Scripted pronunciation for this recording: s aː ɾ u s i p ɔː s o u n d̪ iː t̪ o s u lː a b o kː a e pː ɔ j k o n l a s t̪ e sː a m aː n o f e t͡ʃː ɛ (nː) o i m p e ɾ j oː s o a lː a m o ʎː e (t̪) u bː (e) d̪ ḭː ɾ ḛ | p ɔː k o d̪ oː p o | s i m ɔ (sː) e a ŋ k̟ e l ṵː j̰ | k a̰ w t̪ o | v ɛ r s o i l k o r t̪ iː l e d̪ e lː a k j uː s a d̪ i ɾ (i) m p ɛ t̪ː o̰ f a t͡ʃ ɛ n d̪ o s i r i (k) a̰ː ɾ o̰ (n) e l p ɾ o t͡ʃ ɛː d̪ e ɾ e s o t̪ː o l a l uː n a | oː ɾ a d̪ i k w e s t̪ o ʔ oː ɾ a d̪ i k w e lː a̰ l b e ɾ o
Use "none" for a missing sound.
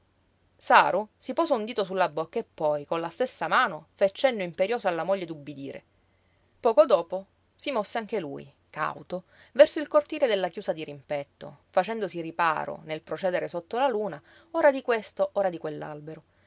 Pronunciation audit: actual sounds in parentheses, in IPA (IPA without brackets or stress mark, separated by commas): nː, d̪, i, sː, i, p, n